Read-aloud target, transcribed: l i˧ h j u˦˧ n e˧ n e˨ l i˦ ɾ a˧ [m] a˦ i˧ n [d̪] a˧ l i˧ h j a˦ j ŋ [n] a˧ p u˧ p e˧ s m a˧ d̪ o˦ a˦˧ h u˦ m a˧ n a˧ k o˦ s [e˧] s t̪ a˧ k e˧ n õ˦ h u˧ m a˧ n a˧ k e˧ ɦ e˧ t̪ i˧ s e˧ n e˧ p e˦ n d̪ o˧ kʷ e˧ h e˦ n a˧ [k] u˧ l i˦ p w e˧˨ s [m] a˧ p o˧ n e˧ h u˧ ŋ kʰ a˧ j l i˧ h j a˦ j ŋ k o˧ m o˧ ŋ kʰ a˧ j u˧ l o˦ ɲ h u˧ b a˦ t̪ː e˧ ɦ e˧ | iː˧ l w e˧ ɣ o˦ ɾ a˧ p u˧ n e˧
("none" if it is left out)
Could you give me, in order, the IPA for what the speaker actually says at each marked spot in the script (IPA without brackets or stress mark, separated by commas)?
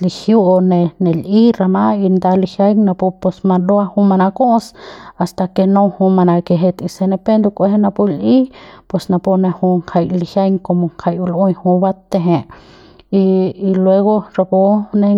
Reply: m, d̪, n, a˧, p, n